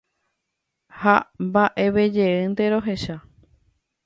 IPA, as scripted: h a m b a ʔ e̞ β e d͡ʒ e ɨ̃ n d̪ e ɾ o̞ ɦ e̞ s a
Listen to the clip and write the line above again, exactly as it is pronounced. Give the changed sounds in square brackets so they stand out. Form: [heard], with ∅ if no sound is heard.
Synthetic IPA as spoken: h a m b a ʔ e̞ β e d͡ʒ e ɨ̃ n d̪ e ɾ o̞ ɦ e̞ [ʃ] a